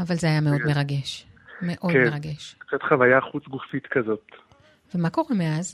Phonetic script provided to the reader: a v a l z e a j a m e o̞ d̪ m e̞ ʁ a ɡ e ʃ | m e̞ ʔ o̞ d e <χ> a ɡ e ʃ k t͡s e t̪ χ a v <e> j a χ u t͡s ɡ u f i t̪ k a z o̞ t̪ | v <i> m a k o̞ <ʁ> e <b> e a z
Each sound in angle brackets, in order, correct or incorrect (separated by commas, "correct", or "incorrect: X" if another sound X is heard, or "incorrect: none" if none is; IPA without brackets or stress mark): incorrect: ʁ, incorrect: a, incorrect: e, correct, incorrect: m